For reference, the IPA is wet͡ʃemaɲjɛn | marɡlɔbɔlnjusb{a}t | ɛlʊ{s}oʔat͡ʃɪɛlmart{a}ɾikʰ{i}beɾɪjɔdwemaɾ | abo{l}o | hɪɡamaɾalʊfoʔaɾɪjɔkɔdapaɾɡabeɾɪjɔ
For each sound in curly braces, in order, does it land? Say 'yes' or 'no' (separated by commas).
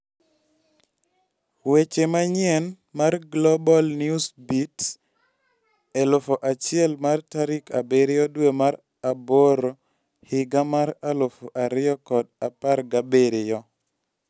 no, no, yes, no, no